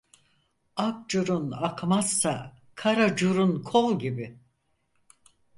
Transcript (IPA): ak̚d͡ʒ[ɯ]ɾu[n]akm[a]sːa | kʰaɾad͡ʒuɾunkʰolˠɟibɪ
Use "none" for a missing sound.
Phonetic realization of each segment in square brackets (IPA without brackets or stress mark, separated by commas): u, n, a